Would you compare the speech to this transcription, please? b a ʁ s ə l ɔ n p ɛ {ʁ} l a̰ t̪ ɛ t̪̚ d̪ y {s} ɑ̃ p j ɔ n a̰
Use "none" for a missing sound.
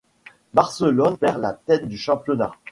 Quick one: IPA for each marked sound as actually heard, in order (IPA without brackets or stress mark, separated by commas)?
ʁ, ʃ